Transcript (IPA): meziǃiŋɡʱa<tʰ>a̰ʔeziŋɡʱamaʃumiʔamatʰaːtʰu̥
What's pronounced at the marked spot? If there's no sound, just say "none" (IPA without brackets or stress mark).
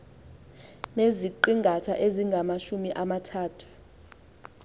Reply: tʰ